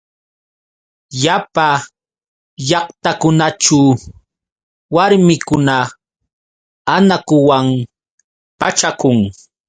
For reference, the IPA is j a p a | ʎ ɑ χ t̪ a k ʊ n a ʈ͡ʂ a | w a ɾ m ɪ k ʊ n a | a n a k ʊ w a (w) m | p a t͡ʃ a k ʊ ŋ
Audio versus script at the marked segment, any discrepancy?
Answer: yes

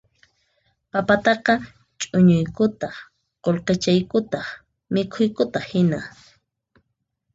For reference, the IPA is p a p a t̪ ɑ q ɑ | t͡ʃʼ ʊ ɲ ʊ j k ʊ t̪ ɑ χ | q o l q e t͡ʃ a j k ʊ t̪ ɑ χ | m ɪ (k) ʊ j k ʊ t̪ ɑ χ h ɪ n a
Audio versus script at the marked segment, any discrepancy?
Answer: yes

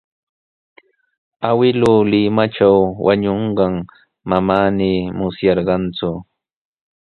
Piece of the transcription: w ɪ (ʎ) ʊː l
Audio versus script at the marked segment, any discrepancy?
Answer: yes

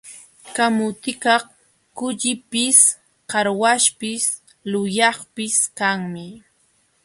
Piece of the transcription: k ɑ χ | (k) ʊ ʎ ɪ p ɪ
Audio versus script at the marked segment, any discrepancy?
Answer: no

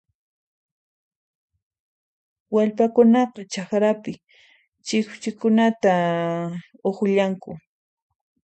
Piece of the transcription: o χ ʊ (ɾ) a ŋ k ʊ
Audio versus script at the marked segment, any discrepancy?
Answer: yes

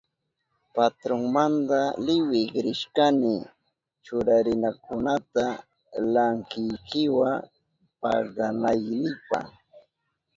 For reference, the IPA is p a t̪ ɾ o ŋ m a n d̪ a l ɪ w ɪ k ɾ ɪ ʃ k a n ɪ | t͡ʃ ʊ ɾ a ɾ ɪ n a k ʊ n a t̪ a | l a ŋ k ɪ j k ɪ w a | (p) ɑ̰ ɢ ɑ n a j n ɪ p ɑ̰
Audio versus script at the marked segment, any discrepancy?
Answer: no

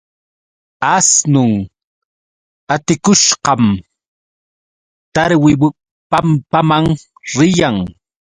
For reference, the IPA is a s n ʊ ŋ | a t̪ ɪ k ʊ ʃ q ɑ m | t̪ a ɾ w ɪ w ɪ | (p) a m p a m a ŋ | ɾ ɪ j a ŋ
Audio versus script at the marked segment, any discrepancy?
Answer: no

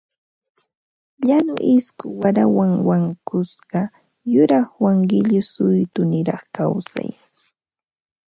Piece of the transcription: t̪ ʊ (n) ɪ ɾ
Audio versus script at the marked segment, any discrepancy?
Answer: no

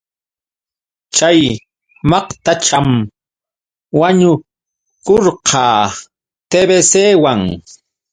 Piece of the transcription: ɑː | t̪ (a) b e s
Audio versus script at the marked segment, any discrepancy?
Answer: yes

